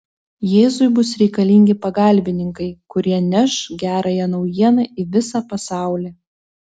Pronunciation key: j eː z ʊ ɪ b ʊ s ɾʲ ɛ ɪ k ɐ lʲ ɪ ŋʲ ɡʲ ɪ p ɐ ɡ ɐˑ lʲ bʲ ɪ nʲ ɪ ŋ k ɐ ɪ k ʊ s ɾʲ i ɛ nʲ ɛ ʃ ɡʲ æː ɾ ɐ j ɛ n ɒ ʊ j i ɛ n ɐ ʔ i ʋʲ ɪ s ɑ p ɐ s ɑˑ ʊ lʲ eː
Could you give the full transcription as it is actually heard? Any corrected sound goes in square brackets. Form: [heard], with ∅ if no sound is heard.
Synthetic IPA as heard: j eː z ʊ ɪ b ʊ s ɾʲ ɛ ɪ k ɐ lʲ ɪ ŋʲ ɡʲ ɪ p ɐ ɡ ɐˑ lʲ bʲ ɪ nʲ ɪ ŋ k ɐ ɪ k ʊ [∅] ɾʲ i ɛ nʲ ɛ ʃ ɡʲ æː ɾ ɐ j ɛ n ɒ ʊ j i ɛ n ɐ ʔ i ʋʲ ɪ s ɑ p ɐ s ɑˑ ʊ lʲ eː